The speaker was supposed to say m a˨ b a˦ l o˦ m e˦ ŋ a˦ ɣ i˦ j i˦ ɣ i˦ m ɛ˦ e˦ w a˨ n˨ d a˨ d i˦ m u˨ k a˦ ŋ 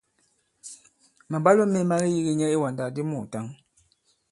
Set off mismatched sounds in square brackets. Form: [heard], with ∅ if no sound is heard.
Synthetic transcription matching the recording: m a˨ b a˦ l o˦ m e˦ [m] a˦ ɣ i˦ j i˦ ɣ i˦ [ɲ] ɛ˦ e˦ w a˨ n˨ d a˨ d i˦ m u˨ [t] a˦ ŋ